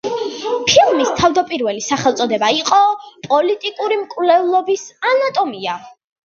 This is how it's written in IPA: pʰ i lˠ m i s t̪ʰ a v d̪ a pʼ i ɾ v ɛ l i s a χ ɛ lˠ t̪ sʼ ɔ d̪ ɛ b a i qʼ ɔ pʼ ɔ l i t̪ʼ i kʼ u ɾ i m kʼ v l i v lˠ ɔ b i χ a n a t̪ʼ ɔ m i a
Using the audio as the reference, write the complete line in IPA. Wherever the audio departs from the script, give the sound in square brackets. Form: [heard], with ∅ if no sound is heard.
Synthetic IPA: pʰ i lˠ m i s t̪ʰ a v d̪ a pʼ i ɾ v ɛ l i s a χ ɛ lˠ t̪ sʼ ɔ d̪ ɛ b a i qʼ ɔ pʼ ɔ l i t̪ʼ i kʼ u ɾ i m kʼ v l [ɛ] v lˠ ɔ b i [s] a n a t̪ʼ ɔ m i a

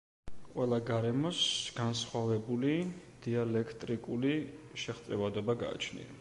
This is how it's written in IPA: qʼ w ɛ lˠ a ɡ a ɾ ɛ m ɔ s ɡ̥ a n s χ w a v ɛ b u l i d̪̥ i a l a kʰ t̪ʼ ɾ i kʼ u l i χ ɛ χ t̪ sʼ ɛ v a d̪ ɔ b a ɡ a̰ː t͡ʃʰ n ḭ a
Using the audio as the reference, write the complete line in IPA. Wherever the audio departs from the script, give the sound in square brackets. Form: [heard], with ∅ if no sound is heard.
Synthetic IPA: qʼ w ɛ lˠ a ɡ a ɾ ɛ m ɔ s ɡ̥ a n s χ w a v ɛ b u l i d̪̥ i a l [ɛ] kʰ t̪ʼ ɾ i kʼ u l i [ʃ] ɛ χ t̪ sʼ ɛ v a d̪ ɔ b a ɡ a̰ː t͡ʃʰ n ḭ a

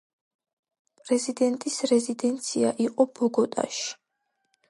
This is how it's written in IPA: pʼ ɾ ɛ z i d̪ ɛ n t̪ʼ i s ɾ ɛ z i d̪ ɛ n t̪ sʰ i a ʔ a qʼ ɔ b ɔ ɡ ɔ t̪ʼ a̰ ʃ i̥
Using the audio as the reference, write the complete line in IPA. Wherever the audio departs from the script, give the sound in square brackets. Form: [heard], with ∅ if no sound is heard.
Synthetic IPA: pʼ ɾ ɛ z i d̪ ɛ n t̪ʼ i s ɾ ɛ z i d̪ ɛ n t̪ sʰ i a ʔ [i] qʼ ɔ b ɔ ɡ ɔ t̪ʼ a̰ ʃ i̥

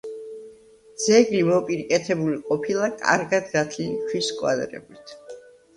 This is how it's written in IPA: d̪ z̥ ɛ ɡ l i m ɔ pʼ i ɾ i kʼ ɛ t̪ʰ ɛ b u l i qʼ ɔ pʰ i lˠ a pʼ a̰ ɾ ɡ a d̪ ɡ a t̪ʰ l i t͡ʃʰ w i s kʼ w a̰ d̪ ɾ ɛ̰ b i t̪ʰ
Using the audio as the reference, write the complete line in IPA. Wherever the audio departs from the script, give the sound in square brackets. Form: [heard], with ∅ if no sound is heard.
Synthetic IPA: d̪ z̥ ɛ ɡ l i m ɔ pʼ i ɾ i kʼ ɛ t̪ʰ ɛ b u l i qʼ ɔ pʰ i lˠ a [kʼ] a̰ ɾ ɡ a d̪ ɡ a t̪ʰ l i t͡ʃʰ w i s kʼ w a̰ d̪ ɾ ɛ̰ b i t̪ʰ

